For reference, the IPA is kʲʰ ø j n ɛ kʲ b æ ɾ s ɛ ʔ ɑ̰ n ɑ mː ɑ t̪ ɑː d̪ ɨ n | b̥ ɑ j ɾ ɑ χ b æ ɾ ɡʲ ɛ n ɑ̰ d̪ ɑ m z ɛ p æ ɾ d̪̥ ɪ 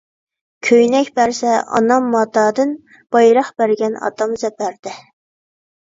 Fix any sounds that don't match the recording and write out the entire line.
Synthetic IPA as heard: kʲʰ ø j n ɛ kʲ b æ ɾ s ɛ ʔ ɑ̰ n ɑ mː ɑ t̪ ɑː d̪ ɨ n | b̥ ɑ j ɾ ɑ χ b æ ɾ ɡʲ ɛ n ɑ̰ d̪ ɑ m z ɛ p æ ɾ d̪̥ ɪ